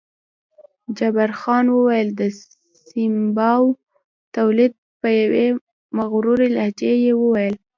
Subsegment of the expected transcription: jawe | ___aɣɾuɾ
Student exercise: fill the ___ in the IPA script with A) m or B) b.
A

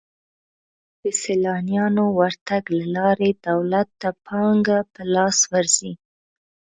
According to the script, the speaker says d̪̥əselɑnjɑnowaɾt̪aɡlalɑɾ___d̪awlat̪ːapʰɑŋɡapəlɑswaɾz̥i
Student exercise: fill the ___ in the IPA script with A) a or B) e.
B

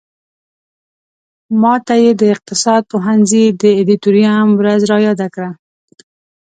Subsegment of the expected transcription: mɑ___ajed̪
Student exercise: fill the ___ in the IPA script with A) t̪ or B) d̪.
A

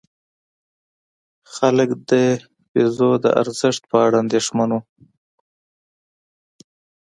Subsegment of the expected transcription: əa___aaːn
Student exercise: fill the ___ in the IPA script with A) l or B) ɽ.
B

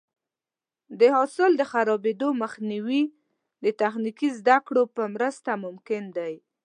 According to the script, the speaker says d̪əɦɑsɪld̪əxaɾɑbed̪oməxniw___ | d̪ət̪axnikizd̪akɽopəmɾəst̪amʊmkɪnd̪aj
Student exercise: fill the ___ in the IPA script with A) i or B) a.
A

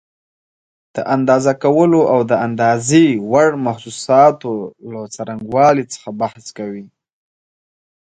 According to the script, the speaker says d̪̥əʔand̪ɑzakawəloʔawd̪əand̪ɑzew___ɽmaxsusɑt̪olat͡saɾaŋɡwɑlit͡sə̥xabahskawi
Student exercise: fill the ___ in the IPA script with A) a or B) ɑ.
A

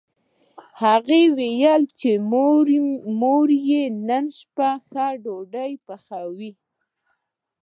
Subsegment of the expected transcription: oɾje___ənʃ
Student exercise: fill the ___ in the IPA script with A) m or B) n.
B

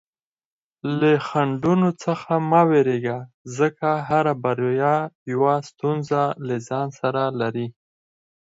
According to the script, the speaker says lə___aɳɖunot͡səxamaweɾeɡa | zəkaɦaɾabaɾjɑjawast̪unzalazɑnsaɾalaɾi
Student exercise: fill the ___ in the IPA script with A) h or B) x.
B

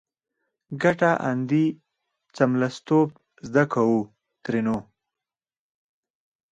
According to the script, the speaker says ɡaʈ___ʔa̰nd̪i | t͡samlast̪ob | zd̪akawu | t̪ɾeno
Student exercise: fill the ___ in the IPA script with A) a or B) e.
A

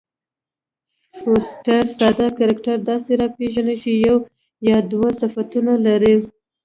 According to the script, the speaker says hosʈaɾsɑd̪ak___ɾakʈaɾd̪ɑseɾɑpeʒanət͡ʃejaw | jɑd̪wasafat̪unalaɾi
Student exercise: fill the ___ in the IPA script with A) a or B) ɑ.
A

